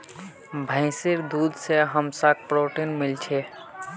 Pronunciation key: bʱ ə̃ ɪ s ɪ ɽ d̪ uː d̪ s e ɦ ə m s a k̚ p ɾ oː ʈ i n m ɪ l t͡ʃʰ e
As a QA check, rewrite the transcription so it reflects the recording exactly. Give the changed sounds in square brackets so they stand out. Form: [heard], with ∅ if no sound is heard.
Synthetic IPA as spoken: bʱ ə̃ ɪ s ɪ [ɾ] d̪ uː d̪ s e ɦ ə m s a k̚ p ɾ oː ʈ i n m ɪ l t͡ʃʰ e